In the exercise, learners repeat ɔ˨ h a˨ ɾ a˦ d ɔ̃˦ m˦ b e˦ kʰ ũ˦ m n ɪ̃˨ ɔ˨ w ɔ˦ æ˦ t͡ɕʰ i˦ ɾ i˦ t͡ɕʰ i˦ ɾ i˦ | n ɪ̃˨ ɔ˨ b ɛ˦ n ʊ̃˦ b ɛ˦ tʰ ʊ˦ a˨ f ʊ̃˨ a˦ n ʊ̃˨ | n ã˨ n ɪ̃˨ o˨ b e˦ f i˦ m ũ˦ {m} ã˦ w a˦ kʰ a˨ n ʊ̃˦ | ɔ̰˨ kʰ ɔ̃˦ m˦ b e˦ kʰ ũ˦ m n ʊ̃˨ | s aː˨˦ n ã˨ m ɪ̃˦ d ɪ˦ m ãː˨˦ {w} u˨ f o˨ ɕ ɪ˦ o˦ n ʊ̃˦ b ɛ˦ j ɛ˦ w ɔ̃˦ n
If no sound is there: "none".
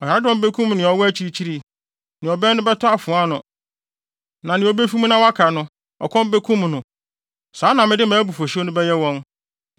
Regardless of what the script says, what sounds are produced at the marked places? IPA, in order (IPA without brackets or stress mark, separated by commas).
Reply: n, b